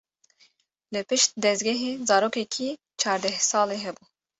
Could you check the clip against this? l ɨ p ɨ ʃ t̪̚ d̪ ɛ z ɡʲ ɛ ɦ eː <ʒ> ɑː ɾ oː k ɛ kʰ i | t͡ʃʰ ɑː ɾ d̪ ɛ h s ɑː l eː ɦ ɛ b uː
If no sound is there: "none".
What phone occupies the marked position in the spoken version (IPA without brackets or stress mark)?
z